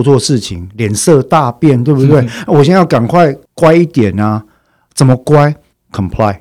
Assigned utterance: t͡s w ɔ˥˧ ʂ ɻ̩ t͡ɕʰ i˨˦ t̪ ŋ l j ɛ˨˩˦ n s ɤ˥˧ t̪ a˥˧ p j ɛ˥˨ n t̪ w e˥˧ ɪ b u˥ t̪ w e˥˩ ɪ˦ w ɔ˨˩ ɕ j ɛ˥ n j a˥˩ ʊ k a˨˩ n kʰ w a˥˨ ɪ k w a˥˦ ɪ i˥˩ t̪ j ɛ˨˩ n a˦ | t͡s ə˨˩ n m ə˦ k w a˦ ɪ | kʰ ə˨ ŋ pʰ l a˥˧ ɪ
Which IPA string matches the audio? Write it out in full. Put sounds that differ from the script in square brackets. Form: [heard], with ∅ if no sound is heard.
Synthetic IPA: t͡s w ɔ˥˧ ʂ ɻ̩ t͡ɕʰ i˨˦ [∅] ŋ l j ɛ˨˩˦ n s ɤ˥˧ t̪ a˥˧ p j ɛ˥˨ n t̪ w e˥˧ ɪ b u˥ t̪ w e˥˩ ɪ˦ w ɔ˨˩ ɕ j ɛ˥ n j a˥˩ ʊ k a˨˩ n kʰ w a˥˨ ɪ k w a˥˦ ɪ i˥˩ t̪ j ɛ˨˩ n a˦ | t͡s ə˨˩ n m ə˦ k w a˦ ɪ | kʰ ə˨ [m] pʰ l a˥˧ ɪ